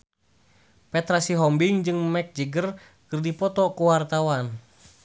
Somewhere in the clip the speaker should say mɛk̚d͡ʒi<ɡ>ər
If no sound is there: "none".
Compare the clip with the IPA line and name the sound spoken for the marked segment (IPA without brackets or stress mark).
ɡ